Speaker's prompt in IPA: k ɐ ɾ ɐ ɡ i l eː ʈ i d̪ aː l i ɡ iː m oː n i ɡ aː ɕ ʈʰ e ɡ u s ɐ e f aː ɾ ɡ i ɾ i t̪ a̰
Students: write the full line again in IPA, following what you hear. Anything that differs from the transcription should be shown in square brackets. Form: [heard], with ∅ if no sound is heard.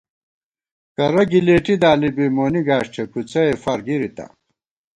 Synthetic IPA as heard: k ɐ ɾ ɐ ɡ i l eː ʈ i d̪ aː l i [b] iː m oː n i ɡ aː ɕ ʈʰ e [k] u [t͡s] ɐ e f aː ɾ ɡ i ɾ i t̪ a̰